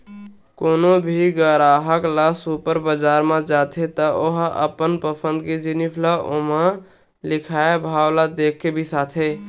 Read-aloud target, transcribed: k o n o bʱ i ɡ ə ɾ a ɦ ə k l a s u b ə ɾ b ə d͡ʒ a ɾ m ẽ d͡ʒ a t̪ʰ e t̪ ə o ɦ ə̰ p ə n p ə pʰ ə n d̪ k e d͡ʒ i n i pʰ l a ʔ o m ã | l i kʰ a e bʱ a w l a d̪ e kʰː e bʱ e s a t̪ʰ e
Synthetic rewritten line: k o n o bʱ i ɡ ə ɾ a ɦ ə k l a s u p ə ɾ b ə d͡ʒ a ɾ m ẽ d͡ʒ a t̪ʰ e t̪ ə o ɦ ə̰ p ə n p ə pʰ ə n d̪ k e d͡ʒ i n i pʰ l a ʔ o m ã | l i kʰ a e bʱ a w l a d̪ e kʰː e bʱ i s a t̪ʰ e